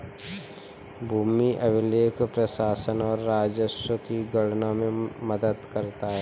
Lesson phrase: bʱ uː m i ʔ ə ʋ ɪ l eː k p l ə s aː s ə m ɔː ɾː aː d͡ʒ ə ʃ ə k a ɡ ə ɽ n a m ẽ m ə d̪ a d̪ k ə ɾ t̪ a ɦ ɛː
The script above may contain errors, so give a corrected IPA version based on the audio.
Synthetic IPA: bʱ uː m i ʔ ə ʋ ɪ l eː k p ɾ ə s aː s ə n ɔː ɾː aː d͡ʒ ə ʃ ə k i ɡ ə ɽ n a m ẽ m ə d̪ ə d̪ k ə ɾ t̪ a ɦ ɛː